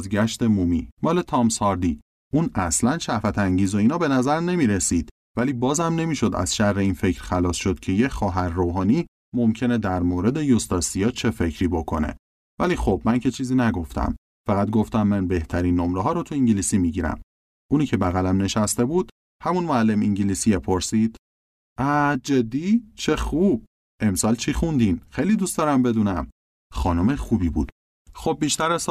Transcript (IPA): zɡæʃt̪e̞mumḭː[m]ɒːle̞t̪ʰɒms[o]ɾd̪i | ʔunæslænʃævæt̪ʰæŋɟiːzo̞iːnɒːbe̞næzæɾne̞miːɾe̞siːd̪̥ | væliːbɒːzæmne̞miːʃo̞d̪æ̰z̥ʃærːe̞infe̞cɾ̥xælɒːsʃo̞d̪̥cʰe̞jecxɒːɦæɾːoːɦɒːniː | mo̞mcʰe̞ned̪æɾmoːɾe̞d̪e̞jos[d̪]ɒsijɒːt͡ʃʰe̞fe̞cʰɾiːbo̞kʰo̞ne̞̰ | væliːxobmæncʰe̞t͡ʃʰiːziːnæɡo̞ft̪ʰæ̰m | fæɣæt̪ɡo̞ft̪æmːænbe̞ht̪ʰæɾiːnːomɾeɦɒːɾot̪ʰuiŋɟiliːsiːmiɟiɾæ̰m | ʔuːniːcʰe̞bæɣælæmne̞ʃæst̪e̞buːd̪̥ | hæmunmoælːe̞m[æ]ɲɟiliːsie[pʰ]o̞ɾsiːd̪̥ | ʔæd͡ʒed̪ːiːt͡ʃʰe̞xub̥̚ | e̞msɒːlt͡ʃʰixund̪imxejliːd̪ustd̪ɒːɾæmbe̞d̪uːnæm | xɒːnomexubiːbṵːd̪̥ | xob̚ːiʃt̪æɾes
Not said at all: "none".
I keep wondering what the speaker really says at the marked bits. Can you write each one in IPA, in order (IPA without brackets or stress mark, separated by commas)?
m, ɒ, t̪, i, pʰ